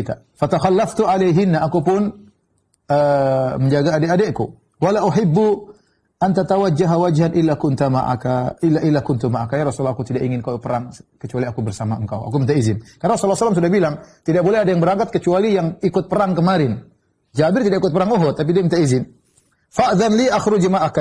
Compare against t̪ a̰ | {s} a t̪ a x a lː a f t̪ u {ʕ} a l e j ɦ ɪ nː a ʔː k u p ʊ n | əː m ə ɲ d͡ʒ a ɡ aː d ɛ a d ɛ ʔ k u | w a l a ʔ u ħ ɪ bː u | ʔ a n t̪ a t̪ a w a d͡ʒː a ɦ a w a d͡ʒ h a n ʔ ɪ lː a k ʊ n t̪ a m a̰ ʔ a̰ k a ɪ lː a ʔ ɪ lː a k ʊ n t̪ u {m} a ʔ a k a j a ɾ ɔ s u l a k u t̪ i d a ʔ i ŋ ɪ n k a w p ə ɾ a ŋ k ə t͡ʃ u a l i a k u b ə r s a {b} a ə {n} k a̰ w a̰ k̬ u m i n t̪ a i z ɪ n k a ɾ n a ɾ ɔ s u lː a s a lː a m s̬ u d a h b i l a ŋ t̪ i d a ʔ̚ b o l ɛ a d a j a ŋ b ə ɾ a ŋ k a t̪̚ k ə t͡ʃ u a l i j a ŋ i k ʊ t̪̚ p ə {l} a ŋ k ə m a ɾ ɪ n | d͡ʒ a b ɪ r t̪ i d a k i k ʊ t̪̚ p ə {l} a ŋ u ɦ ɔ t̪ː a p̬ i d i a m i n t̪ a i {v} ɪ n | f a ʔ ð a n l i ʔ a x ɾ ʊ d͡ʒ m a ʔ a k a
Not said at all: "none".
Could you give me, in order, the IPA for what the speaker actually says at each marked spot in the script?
f, ʕ, m, m, ŋ, ɾ, ɾ, z

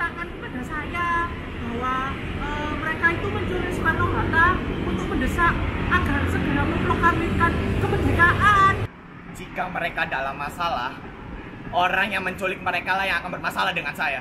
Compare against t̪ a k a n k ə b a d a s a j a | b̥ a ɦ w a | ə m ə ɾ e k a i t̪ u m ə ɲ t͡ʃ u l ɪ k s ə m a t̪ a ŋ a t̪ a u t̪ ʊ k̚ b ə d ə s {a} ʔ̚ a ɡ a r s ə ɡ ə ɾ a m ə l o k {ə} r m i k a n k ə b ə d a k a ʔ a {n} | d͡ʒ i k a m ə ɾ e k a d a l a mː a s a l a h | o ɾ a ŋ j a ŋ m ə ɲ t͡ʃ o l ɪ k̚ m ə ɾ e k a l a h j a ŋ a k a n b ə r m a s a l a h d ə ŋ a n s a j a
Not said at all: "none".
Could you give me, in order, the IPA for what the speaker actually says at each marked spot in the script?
a, a, n

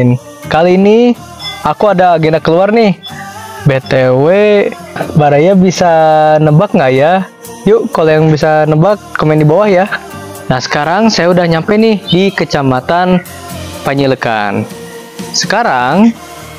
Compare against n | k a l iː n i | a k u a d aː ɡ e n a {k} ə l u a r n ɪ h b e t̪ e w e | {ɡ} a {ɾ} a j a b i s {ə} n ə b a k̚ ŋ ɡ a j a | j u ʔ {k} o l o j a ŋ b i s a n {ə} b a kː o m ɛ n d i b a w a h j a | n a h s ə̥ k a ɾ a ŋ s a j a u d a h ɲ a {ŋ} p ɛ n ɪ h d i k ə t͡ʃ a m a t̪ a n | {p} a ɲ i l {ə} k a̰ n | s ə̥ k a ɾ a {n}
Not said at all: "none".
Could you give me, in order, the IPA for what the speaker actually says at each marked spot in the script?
k, b, ɾ, a, k, ə, m, p, ə, ŋ

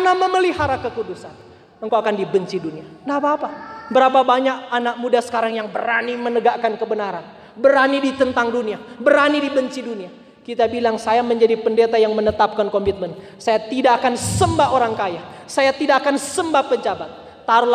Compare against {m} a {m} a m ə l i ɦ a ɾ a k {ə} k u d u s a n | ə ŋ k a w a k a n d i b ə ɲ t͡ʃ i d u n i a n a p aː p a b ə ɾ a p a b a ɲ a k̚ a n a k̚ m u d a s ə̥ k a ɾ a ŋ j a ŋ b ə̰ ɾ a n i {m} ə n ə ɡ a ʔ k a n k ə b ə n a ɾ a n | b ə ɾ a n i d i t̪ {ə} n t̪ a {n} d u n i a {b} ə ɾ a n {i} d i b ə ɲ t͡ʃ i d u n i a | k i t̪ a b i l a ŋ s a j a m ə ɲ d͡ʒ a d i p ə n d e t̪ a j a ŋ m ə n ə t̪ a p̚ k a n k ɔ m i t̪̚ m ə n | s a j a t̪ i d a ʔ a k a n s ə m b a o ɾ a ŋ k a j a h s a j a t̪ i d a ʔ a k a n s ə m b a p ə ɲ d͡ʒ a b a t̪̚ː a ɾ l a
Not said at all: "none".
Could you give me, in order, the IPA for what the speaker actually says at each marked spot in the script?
n, m, ə, m, ə, ŋ, b, i

